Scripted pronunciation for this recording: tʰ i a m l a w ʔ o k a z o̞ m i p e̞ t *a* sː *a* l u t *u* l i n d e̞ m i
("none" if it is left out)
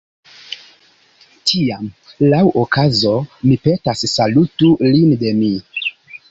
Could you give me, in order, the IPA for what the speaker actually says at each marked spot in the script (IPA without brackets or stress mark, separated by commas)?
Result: a, a, u